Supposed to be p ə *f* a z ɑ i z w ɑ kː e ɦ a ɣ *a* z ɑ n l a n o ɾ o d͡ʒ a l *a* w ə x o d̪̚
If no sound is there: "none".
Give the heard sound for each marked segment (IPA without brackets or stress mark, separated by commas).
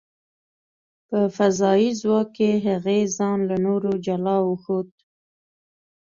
f, e, ɑ